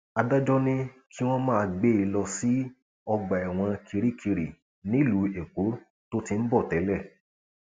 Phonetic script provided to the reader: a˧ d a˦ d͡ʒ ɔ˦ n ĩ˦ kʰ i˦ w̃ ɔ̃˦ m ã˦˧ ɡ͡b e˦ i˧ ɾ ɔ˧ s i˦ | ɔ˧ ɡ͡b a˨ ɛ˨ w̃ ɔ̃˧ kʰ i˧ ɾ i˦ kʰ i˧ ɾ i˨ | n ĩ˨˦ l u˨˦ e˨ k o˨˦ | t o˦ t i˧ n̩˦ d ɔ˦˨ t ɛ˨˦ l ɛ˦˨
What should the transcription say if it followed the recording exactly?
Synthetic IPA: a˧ d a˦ d͡ʒ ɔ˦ n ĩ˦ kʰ i˦ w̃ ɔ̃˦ m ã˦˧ ɡ͡b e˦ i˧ l ɔ˧ s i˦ | ɔ˧ ɡ͡b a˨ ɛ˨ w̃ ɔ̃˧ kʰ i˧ ɾ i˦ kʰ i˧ ɾ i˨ | n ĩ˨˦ l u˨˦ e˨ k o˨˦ | t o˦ t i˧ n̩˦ b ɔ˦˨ t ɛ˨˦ l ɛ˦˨